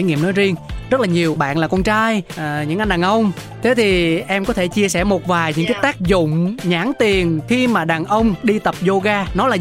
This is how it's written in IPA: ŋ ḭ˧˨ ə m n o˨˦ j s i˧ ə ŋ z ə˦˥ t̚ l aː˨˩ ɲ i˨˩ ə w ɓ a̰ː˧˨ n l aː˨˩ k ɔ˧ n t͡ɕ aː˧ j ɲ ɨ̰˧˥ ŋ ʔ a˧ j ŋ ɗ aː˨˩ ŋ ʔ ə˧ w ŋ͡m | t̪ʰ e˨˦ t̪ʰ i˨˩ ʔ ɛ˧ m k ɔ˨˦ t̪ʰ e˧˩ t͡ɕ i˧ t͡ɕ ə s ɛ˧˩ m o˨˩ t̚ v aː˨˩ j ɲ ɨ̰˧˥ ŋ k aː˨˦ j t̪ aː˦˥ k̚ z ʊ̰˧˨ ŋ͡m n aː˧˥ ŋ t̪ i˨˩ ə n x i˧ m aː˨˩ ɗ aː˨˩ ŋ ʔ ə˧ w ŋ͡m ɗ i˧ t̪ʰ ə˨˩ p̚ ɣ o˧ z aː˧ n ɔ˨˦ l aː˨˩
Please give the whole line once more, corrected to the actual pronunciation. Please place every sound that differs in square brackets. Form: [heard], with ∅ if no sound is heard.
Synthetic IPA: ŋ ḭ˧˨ ə m n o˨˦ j [z] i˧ ə ŋ z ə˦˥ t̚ l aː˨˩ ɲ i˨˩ ə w ɓ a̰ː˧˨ n l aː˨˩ k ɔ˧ n t͡ɕ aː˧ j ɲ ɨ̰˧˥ ŋ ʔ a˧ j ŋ ɗ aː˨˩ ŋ ʔ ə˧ w ŋ͡m | t̪ʰ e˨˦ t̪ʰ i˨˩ ʔ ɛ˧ m k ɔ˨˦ t̪ʰ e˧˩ t͡ɕ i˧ [∅] ə s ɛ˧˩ m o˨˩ t̚ v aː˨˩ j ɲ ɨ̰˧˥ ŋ k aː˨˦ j t̪ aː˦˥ k̚ z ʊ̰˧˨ ŋ͡m [ɲ] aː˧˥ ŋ t̪ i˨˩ ə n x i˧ m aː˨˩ ɗ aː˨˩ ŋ ʔ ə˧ w ŋ͡m ɗ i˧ [t̪] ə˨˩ p̚ [z] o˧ [ɣ] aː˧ n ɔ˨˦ l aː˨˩